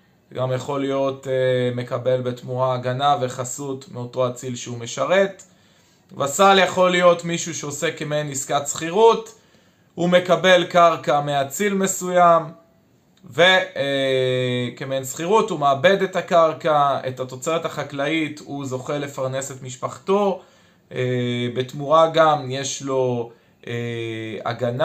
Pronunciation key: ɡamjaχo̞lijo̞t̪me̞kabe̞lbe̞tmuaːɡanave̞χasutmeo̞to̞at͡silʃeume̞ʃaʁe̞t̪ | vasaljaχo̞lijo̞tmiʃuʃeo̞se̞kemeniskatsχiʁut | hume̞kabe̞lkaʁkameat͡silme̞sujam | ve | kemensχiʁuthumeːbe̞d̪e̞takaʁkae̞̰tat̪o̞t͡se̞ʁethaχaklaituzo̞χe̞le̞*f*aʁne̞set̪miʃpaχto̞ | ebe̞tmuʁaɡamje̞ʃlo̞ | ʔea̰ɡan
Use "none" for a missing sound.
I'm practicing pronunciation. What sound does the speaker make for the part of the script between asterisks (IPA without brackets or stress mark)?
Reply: f